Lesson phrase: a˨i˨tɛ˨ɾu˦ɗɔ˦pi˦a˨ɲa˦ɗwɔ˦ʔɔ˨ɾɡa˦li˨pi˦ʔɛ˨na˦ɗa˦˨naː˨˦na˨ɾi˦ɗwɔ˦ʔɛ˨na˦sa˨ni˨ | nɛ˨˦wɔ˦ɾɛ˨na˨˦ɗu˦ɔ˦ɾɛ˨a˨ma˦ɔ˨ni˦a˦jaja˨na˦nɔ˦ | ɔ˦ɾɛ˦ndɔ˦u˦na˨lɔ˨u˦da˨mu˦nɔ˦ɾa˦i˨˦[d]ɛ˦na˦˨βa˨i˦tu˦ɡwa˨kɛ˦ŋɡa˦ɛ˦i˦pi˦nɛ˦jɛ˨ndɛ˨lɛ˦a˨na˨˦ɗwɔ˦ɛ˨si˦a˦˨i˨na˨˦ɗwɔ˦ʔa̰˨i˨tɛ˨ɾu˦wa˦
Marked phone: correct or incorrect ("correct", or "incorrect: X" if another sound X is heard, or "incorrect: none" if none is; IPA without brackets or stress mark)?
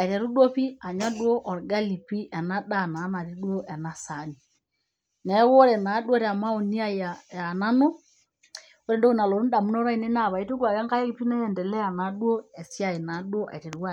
incorrect: n